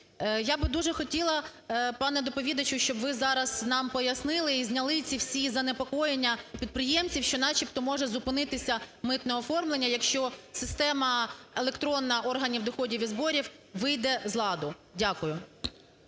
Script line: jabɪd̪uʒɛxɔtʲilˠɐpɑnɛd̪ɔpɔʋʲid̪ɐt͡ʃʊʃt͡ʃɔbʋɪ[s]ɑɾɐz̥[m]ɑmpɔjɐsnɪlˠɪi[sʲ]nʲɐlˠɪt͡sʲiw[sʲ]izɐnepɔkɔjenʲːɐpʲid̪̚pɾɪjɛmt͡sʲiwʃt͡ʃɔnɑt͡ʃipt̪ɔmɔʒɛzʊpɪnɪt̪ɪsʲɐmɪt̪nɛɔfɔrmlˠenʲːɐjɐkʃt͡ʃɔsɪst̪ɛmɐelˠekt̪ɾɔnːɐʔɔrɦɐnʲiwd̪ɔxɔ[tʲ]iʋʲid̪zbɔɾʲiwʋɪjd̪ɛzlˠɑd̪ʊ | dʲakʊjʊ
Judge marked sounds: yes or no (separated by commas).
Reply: no, no, no, yes, no